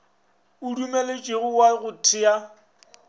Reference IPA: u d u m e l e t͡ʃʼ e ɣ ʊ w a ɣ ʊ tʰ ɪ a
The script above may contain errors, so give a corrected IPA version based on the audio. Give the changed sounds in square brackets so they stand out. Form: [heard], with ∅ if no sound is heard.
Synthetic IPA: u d u m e l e t͡ʃʼ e ɣ ʊ w a ɣ ʊ tʰ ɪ a